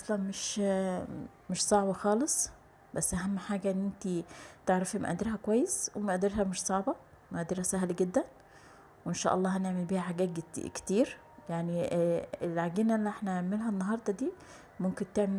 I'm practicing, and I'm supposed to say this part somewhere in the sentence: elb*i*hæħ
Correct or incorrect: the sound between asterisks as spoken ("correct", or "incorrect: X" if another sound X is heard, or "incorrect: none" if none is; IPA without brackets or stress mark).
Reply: incorrect: iː